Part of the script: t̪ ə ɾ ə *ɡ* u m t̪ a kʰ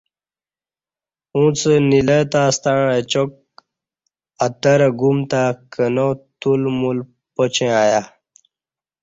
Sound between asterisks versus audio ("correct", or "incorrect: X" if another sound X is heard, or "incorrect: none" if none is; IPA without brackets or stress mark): correct